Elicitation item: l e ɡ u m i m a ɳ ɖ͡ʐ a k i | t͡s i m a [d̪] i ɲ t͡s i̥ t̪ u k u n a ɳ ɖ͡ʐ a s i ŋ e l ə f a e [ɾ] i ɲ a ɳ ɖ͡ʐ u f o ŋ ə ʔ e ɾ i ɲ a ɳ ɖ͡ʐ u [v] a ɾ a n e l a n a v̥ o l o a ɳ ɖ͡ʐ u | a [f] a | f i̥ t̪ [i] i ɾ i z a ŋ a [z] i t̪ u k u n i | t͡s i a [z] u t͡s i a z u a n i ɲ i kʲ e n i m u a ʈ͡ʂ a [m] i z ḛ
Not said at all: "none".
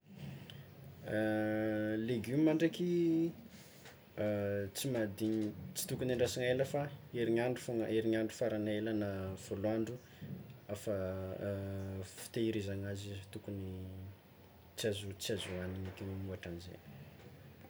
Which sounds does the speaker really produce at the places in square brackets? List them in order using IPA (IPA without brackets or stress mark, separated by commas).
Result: d̪, ɾ, f, f, e, z, z, n